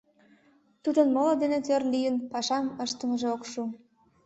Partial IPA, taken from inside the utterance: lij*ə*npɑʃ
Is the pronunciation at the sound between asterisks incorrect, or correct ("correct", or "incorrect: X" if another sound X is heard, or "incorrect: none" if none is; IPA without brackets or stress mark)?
correct